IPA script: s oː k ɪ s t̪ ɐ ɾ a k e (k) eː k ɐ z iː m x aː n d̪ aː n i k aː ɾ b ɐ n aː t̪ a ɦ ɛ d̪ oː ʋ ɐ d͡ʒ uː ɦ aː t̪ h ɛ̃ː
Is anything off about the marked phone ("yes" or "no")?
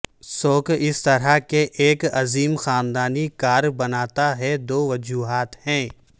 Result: yes